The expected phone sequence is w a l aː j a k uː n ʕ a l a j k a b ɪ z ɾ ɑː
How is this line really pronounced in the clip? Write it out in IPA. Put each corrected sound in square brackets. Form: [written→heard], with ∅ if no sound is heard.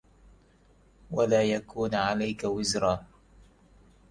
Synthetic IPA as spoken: w a l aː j a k uː n ʕ a l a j k a [b→w] ɪ z ɾ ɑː